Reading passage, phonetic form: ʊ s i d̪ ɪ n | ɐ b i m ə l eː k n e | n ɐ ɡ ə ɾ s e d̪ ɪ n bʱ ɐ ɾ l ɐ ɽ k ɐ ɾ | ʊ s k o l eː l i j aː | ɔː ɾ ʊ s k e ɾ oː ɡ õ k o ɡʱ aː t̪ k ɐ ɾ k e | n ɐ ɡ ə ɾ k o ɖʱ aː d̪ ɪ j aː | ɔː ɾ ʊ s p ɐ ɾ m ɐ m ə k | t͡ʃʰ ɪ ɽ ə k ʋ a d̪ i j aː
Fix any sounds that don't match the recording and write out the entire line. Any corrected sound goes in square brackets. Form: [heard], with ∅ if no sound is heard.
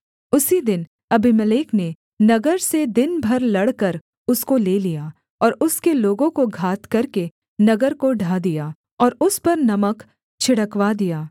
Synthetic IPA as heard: ʊ s i d̪ ɪ n | ɐ b i m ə l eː k n e | n ɐ ɡ ə ɾ s e d̪ ɪ n bʱ ɐ ɾ l ɐ ɽ k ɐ ɾ | ʊ s k o l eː l i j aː | ɔː ɾ ʊ s k e [l] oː ɡ õ k o ɡʱ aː t̪ k ɐ ɾ k e | n ɐ ɡ ə ɾ k o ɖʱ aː d̪ [i] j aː | ɔː ɾ ʊ s p ɐ ɾ [n] ɐ m ə k | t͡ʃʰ ɪ ɽ ə k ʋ a d̪ i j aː

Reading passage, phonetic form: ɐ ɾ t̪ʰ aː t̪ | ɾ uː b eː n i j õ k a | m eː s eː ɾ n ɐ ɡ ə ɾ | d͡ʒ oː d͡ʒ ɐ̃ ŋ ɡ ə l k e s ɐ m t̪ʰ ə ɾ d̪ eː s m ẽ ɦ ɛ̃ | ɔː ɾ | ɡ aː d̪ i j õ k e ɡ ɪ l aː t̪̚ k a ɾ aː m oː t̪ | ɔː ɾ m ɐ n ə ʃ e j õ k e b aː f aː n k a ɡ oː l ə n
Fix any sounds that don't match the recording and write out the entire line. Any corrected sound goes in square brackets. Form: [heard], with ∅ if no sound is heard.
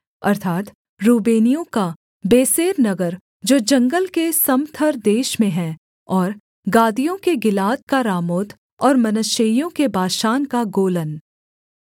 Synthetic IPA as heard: ɐ ɾ t̪ʰ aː t̪ | ɾ uː b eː n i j õ k a | [b] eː s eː ɾ n ɐ ɡ ə ɾ | d͡ʒ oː d͡ʒ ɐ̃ ŋ ɡ ə l k e s ɐ m t̪ʰ ə ɾ d̪ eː [ʃ] m ẽ ɦ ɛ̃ | ɔː ɾ | ɡ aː d̪ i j õ k e ɡ ɪ l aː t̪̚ k a ɾ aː m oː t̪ | ɔː ɾ m ɐ n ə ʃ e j õ k e b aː [ʃ] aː n k a ɡ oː l ə n

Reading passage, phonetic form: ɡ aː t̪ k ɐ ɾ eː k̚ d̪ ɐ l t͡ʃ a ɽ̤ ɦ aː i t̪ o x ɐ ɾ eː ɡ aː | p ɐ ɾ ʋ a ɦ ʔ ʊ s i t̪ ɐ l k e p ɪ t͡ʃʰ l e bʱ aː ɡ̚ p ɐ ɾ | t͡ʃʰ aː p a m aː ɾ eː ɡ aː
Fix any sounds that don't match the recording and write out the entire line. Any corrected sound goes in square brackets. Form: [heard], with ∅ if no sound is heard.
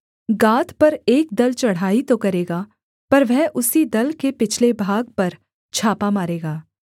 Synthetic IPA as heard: ɡ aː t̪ [p] ɐ ɾ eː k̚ d̪ ɐ l t͡ʃ [ɐ] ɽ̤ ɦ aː i t̪ o [k] ɐ ɾ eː ɡ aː | p ɐ ɾ ʋ [ɛ] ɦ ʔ ʊ s i [d̪] ɐ l k e p ɪ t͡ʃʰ l e bʱ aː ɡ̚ p ɐ ɾ | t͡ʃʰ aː p a m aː ɾ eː ɡ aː

